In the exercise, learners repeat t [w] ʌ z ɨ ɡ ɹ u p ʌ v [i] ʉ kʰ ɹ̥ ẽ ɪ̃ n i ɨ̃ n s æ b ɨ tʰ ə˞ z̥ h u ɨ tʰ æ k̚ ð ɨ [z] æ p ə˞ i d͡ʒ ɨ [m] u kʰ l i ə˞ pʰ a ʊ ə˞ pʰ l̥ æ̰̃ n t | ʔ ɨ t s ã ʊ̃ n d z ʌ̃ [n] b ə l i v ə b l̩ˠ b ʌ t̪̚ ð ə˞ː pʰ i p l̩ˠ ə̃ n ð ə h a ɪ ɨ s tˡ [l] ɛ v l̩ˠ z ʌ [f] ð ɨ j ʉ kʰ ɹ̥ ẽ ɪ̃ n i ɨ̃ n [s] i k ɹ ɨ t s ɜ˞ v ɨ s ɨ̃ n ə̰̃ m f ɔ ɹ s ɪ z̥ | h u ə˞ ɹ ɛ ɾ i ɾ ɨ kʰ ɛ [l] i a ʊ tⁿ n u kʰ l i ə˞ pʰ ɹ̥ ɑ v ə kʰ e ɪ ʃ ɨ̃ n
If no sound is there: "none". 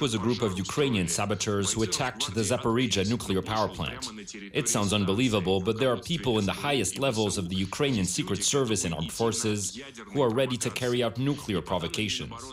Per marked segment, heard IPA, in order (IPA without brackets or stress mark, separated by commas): w, j, z, n, n, l, v, s, ɹ